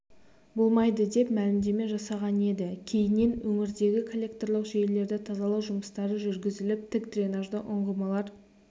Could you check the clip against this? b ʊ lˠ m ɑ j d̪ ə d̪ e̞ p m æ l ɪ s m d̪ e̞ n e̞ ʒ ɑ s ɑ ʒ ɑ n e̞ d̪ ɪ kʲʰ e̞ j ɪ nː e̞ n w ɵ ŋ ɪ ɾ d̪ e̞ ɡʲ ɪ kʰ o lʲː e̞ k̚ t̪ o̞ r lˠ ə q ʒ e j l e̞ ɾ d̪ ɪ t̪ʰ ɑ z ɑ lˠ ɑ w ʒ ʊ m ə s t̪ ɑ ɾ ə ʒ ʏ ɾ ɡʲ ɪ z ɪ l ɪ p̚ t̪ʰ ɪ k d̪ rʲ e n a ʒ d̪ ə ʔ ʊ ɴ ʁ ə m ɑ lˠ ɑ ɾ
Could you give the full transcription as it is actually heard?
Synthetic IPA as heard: b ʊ lˠ m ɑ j d̪ ə d̪ e̞ p m æ l ɪ m d̪ e̞ m e̞ ʒ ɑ s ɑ ʁ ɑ n e̞ d̪ ɪ kʲʰ e̞ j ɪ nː e̞ n w ɵ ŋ ɪ ɾ d̪ e̞ ɡʲ ɪ kʰ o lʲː e̞ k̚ t̪ o̞ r lˠ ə q ʒ e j l e̞ ɾ d̪ ɪ t̪ʰ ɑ z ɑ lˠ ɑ w ʒ ʊ m ə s t̪ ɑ ɾ ə ʒ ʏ ɾ ɡʲ ɪ z ɪ l ɪ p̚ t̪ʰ ɪ k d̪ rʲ e n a ʒ d̪ ə ʔ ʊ ɴ ʁ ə m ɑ lˠ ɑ ɾ

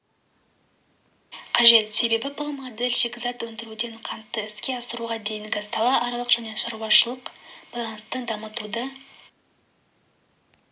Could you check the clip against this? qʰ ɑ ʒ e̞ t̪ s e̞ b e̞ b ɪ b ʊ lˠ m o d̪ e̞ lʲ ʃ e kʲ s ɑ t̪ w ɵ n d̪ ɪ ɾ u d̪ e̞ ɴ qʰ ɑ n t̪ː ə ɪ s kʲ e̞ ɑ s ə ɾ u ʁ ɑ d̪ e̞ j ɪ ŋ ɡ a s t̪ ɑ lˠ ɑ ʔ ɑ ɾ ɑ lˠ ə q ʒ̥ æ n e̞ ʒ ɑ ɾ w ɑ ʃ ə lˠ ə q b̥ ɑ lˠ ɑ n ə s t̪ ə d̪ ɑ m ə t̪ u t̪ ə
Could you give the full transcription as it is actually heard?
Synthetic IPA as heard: qʰ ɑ ʒ e̞ t̪ s e̞ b e̞ b ɪ b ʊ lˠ m o d̪ e̞ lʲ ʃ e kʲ z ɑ t̪ w ɵ n d̪ ɪ ɾ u d̪ e̞ ɴ qʰ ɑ n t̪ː ə ɪ s kʲ e̞ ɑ s ə ɾ u ʁ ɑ d̪ e̞ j ɪ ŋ ɡ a s t̪ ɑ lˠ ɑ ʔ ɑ ɾ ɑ lˠ ə q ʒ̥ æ n e̞ ʃ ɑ ɾ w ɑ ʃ ə lˠ ə q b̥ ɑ lˠ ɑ n ə s t̪ ə d̪ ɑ m ə t̪ u d̪ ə

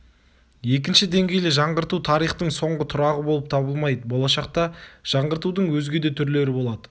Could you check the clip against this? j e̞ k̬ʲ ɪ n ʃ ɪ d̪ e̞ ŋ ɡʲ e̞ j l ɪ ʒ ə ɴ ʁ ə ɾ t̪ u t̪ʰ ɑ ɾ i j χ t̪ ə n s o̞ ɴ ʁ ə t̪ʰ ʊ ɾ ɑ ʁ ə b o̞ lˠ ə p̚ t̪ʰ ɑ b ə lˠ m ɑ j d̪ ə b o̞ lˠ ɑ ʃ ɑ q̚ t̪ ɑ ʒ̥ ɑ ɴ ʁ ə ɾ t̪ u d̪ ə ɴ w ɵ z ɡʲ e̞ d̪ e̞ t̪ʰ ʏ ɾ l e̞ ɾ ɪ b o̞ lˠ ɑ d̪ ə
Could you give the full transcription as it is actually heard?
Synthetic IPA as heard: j e̞ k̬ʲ ɪ n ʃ ɪ d̪ e̞ ŋ ɡʲ e̞ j l ɪ ʒ ɑ ɴ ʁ ə ɾ t̪ u t̪ʰ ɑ ɾ i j χ t̪ ə ɴ s o̞ ɴ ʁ ə t̪ʰ ʊ ɾ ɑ ʁ ə b o̞ lˠ ə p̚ t̪ʰ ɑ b ə lˠ m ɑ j d̪ ə b o̞ lˠ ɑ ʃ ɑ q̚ t̪ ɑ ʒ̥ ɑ ɴ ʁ ə ɾ t̪ u d̪ ə ɴ w ɵ z ɡʲ e̞ d̪ e̞ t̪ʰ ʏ ɾ l e̞ ɾ ɪ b o̞ lˠ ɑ d̪ ə

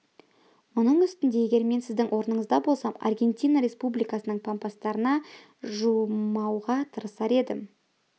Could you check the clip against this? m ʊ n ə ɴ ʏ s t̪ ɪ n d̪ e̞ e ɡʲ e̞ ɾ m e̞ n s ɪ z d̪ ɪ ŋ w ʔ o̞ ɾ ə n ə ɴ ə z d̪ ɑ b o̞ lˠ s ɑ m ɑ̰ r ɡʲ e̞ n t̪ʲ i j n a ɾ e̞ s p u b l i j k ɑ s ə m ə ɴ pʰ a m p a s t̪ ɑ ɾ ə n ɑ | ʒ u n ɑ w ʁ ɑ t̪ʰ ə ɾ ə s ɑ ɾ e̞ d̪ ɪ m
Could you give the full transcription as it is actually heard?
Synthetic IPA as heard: m ʊ n ə ɴ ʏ s t̪ ɪ n d̪ e̞ e ɡʲ e̞ ɾ m e̞ n s ɪ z d̪ ɪ ŋ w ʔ o̞ ɾ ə n ə ɴ ə z d̪ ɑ b o̞ lˠ s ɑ m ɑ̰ r ɡʲ e̞ n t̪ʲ i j n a ɾ e̞ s p u b l i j k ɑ s ə n ə ɴ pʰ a m p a s t̪ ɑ ɾ ə n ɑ | ʒ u m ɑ w ʁ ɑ t̪ʰ ə ɾ ə s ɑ ɾ e̞ d̪ ɪ m

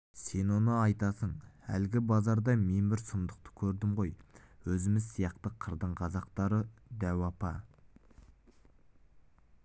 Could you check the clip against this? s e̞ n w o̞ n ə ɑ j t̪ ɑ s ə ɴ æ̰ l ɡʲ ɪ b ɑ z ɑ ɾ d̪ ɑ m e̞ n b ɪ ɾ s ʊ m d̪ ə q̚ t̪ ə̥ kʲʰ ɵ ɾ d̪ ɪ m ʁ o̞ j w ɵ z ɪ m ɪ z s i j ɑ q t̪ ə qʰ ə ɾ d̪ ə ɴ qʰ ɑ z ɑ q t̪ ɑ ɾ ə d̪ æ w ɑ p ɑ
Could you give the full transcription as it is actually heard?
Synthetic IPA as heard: s e̞ n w o̞ n ə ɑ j t̪ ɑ s ə ɴ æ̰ l ɡʲ ɪ b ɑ z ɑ ɾ d̪ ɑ m e̞ n b ɪ ɾ s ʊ m d̪ ə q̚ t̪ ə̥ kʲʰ ɵ ɾ d̪ ɪ m ʁ o̞ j w ɵ z ɪ m ɪ z s i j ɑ q t̪ ə qʰ ə ɾ d̪ ə ɴ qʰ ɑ z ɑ q t̪ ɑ ɾ ə d̪ æ w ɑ p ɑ

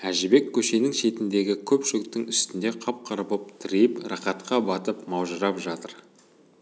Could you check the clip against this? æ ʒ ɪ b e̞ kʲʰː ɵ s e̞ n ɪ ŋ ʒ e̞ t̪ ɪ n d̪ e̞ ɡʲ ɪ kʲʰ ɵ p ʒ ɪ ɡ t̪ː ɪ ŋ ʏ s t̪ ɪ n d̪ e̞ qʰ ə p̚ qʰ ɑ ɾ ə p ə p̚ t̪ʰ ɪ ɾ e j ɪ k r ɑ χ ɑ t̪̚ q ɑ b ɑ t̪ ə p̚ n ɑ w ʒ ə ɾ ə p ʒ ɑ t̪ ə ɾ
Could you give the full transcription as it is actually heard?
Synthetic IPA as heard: æ ʒ ɪ b e̞ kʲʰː ɵ ʃ e̞ n ɪ ŋ ʃ e̞ t̪ ɪ n d̪ e̞ ɡʲ ɪ kʲʰ ɵ p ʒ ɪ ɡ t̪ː ɪ ŋ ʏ s t̪ ɪ n d̪ e̞ qʰ ɑ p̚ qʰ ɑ ɾ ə p ə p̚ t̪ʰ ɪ ɾ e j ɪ p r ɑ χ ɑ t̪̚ q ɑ b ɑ t̪ ə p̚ m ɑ w ʒ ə ɾ ɑ p ʒ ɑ t̪ ə ɾ

